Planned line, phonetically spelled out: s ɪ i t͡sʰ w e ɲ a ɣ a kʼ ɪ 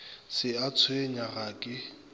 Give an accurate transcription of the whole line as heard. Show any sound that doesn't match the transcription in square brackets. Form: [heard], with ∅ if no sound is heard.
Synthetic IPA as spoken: s ɪ [a] t͡sʰ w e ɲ a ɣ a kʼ ɪ